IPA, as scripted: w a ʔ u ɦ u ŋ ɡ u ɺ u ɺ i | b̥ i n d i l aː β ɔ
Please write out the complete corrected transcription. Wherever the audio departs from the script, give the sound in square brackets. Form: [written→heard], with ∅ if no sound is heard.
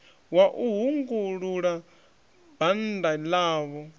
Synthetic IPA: w a ʔ u ɦ u ŋ ɡ u ɺ u ɺ [i→a] | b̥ [i→a] n d [i→a] l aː β ɔ